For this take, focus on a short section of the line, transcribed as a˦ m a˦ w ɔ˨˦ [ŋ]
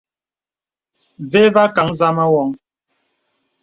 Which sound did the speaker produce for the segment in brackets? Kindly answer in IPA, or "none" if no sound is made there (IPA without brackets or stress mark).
ŋ